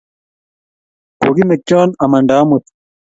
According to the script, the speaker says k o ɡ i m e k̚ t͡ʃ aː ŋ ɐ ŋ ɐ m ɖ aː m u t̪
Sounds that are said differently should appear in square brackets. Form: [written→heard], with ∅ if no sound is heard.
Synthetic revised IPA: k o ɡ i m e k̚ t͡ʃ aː [ŋ→n] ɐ [ŋ→m] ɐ [m→ɳ] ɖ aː m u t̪